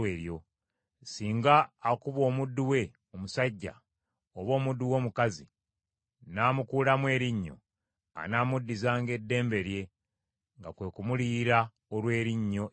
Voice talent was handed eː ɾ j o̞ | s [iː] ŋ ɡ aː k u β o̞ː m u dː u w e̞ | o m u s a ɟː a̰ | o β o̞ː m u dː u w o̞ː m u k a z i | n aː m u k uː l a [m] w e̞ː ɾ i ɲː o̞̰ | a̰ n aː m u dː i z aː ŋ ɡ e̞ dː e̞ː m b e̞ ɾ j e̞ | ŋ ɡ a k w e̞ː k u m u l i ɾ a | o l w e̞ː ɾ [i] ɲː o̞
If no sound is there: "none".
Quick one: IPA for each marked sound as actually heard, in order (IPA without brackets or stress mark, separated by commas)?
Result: iː, m, i